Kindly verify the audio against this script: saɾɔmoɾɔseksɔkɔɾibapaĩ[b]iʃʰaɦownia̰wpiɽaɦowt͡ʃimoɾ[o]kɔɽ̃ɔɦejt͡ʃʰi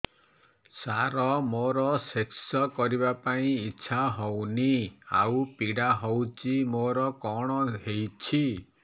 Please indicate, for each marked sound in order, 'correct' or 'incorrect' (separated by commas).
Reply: incorrect, incorrect